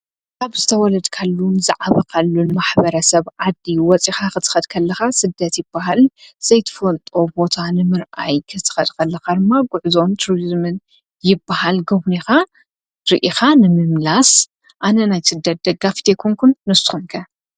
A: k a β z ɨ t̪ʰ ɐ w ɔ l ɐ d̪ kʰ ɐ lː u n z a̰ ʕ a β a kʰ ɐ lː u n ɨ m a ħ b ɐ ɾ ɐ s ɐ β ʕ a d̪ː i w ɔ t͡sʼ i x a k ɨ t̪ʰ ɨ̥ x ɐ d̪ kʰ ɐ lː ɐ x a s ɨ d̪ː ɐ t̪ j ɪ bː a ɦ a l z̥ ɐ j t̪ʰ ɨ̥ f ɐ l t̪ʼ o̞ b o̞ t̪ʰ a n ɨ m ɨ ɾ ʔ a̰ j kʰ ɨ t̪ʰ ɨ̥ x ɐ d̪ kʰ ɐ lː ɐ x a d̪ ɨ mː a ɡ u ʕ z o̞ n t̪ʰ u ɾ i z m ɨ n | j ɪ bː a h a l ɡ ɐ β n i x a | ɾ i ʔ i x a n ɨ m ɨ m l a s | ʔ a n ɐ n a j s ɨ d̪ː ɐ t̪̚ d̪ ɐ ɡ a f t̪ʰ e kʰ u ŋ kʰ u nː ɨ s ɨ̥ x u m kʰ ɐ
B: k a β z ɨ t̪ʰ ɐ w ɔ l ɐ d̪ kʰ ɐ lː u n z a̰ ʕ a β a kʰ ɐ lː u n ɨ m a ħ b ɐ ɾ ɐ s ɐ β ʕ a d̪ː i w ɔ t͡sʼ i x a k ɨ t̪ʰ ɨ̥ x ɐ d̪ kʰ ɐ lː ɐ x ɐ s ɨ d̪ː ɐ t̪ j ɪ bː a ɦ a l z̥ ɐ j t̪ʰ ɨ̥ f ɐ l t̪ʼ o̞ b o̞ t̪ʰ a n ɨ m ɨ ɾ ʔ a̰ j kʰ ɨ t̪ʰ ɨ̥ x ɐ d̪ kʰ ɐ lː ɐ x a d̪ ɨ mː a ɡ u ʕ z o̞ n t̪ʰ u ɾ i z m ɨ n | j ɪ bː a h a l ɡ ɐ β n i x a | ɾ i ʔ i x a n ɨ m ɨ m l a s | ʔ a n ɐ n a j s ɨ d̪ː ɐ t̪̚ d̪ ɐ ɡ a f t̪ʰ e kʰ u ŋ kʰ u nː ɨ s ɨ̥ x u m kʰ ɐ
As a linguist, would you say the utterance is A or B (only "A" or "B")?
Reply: A